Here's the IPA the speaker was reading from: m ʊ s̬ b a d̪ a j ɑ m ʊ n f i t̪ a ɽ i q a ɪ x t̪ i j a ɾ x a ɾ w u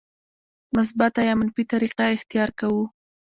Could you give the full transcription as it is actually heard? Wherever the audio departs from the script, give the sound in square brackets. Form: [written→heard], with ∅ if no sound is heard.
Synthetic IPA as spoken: m ʊ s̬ b a [d̪→t̪] a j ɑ m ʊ n f i t̪ a [ɽ→ɾ] i q a ɪ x t̪ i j [a→ɑ] ɾ [x→k] a [ɾ→∅] w u